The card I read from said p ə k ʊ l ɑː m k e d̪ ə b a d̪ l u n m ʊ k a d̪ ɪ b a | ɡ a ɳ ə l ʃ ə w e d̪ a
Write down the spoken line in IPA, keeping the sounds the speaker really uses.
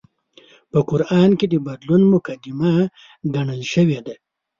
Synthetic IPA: p ə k ʊ ɾ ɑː n k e d̪ ə b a d̪ l u n m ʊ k a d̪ ɪ m a | ɡ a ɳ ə l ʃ ə w e d̪ a

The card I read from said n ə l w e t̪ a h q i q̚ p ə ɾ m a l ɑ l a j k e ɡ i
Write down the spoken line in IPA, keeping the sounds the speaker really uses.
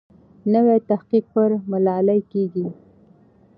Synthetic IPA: n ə w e t̪ a h q i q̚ p ə ɾ m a l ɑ l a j k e ɡ i

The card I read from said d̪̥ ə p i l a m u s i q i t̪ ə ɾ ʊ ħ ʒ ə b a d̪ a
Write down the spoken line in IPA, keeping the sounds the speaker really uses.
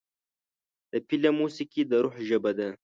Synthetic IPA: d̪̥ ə p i l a m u s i k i d̪ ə ɾ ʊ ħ ʒ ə b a d̪ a

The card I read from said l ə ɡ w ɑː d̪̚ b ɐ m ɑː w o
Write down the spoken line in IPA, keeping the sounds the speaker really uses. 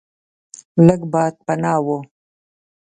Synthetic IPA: l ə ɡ b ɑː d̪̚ p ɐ n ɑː w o

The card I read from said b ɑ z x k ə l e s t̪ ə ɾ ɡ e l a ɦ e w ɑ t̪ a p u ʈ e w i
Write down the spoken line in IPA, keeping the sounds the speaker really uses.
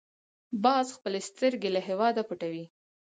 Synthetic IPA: b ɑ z x p ə l e s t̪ ə ɾ ɡ e l a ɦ e w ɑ d̪ a p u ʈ a w i

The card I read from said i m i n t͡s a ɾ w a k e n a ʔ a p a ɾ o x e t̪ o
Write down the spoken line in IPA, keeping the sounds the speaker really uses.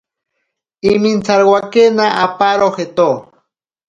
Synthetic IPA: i m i n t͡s a ɾ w a k e n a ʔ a p a ɾ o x e t̪ o

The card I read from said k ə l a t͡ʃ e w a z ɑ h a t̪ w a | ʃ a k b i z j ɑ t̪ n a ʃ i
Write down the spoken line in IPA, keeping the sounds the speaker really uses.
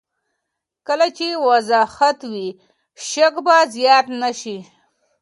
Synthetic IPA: k ə l a t͡ʃ e w a z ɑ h a t̪ w i | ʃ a k b a z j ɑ t̪ n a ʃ i

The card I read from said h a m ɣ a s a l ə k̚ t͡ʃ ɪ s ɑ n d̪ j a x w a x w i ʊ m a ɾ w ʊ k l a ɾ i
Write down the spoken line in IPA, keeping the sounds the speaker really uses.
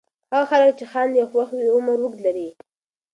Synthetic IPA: h a ɣ a x a l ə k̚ t͡ʃ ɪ x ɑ n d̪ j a x w a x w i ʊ m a ɾ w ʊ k l a ɾ i

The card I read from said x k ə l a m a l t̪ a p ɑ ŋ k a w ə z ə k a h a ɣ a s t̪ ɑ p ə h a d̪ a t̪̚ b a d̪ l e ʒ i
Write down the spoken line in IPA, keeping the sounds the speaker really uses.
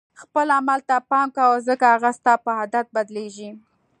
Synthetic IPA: x p ə l a m a l t̪ a p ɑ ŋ k a w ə z ə k a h a ɣ a s t̪ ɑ p ə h a d̪ a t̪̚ b a d̪ l e ʒ i

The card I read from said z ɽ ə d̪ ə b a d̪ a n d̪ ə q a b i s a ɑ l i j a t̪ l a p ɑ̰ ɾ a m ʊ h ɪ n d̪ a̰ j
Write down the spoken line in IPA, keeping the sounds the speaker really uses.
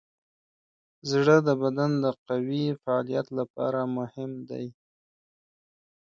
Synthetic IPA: z ɽ ə d̪ ə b a d̪ a n d̪ ə q a w i f a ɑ l i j a t̪ l a p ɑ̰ ɾ a m ʊ h ɪ m d̪ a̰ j

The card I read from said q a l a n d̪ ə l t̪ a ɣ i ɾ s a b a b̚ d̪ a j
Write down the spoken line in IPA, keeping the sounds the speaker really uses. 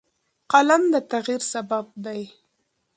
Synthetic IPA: q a l a m d̪ ə t̪ a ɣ i ɾ s a b a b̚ d̪ a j

